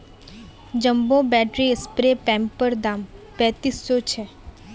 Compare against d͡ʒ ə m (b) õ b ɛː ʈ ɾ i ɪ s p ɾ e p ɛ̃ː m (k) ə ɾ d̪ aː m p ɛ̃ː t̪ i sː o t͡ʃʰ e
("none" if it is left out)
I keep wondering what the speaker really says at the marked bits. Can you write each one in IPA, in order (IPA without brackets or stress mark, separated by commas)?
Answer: b, p